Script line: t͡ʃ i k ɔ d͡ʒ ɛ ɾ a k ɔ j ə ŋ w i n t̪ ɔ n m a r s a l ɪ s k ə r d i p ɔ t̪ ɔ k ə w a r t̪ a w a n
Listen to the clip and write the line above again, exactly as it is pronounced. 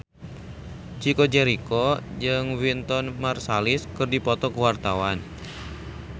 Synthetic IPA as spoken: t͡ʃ i k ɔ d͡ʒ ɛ ɾ i k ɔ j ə ŋ w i n t̪ ɔ n m a r s a l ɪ s k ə r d i p ɔ t̪ ɔ k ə w a r t̪ a w a n